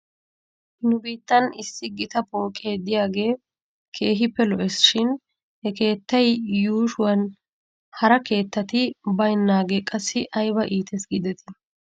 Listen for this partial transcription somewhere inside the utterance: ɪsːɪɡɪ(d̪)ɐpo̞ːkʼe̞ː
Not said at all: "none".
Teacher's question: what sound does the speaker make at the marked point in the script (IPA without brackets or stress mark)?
t̪